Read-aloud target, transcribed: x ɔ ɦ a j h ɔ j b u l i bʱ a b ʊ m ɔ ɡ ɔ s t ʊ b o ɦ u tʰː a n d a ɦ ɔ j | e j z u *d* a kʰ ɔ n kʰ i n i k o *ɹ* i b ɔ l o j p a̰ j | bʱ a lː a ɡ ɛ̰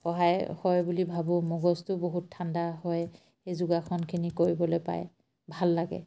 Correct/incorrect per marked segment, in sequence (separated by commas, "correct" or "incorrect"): incorrect, correct